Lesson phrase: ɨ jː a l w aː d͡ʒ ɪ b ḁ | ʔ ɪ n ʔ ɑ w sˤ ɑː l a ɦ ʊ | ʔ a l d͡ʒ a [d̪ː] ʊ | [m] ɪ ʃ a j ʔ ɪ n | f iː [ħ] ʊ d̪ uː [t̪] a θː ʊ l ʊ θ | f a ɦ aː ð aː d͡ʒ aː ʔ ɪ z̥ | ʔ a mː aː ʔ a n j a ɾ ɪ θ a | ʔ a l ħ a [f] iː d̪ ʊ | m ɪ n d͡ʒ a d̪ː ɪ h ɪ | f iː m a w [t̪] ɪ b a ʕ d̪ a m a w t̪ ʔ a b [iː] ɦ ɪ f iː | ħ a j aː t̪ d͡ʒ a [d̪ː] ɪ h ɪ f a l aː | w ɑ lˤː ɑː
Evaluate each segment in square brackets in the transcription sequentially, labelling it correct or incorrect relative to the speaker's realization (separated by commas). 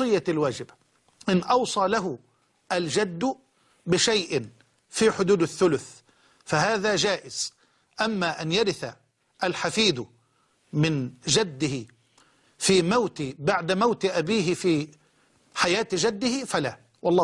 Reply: correct, incorrect, correct, incorrect, correct, correct, correct, correct